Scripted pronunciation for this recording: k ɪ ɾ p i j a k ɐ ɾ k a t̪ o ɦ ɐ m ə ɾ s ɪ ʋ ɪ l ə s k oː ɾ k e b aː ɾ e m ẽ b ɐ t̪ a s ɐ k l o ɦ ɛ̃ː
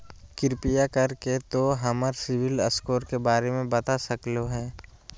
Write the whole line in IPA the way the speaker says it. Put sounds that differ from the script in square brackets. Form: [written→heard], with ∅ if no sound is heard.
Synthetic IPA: k ɪ ɾ p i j a k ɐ ɾ k [a→e] t̪ o ɦ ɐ m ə ɾ s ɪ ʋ ɪ l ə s k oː ɾ k e b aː ɾ e m ẽ b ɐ t̪ a s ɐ k l o ɦ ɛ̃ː